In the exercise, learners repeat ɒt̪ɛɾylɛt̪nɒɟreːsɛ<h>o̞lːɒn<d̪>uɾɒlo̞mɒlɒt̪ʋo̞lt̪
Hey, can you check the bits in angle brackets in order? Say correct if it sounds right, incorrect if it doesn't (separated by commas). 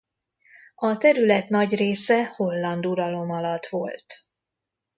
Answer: correct, correct